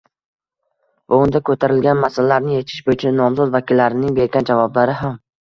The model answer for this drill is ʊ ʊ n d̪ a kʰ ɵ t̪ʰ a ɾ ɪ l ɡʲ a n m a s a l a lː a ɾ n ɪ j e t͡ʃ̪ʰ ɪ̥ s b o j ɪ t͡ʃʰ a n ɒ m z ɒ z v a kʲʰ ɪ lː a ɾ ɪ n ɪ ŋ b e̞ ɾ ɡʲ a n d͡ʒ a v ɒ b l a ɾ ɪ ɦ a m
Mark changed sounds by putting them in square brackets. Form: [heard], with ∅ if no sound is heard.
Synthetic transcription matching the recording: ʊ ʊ n d̪ a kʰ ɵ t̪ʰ a ɾ ɪ l ɡʲ a n m a s a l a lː a ɾ n ɪ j e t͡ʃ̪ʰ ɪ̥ [ʃ] b o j ɪ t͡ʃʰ a n ɒ m z ɒ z v a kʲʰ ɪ lː a ɾ ɪ n ɪ ŋ b e̞ ɾ ɡʲ a n d͡ʒ a v ɒ b l a ɾ ɪ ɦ a m